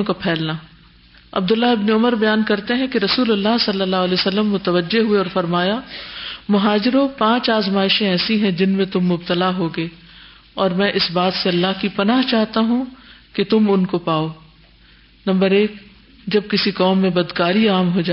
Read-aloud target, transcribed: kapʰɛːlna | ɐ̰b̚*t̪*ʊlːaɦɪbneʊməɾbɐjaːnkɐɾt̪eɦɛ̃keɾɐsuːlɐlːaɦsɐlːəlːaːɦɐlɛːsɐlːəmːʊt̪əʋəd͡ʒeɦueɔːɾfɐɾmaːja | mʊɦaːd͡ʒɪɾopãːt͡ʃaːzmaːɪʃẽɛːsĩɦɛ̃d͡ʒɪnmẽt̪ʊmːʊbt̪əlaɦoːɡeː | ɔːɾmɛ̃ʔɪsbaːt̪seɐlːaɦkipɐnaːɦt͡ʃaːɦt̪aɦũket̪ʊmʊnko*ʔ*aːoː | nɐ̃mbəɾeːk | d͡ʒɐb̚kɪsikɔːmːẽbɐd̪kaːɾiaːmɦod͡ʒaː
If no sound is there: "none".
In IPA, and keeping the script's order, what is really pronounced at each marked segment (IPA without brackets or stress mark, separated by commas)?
d̪, p